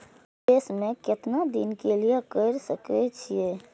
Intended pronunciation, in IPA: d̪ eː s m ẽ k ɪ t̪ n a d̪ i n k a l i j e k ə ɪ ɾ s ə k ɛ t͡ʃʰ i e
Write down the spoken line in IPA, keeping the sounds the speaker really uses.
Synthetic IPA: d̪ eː s m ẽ k ɪ t̪ n a d̪ i n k e l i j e k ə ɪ ɾ s ə k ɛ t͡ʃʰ i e